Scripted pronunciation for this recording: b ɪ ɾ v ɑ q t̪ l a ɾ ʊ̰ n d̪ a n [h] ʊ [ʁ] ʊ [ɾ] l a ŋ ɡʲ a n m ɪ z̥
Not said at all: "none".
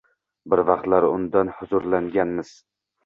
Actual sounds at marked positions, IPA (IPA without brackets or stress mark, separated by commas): h, z, ɾ